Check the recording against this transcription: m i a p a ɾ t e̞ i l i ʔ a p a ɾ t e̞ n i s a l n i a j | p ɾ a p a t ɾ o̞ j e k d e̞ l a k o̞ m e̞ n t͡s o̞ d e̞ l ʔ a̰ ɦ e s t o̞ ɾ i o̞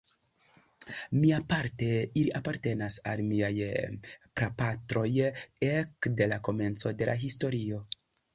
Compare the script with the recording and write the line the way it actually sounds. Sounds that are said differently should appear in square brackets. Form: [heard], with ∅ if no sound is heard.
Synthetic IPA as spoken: m i a p a ɾ t e̞ i l i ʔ a p a ɾ t e̞ n [a] s a l [m] i a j | p ɾ a p a t ɾ o̞ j e k d e̞ l a k o̞ m e̞ n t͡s o̞ d e̞ l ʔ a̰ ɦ [i] s t o̞ ɾ i o̞